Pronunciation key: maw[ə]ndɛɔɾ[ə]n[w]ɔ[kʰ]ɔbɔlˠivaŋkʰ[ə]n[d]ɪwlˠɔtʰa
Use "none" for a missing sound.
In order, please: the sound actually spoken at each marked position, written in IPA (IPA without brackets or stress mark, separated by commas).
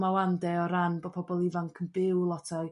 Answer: a, a, b, pʰ, ə, b